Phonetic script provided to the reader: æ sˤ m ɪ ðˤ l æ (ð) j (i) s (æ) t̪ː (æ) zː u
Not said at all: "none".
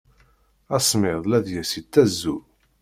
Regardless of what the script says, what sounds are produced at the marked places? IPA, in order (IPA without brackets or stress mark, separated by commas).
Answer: ð, æ, i, æ